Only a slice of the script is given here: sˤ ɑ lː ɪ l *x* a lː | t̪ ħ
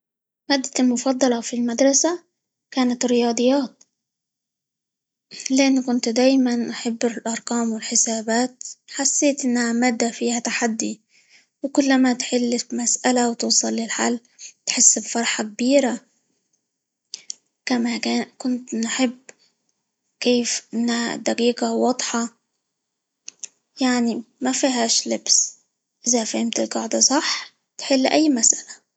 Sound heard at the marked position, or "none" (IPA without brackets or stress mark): ħ